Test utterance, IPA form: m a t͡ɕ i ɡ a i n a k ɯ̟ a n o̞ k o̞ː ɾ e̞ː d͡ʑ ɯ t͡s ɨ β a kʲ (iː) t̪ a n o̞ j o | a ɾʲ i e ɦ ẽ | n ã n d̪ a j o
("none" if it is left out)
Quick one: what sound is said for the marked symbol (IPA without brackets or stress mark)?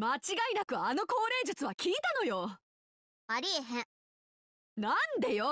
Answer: iː